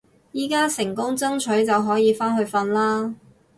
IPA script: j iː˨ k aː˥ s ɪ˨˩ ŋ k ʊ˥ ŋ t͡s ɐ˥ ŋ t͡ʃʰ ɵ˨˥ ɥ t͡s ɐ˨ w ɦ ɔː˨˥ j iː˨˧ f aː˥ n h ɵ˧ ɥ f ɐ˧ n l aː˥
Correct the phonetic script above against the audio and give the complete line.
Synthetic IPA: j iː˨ k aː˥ s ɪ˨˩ ŋ k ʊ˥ ŋ t͡s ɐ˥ ŋ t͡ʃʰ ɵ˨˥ ɥ t͡s ɐ˨ w ɦ ɔː˨˥ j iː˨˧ f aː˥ n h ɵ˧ ɥ f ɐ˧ n l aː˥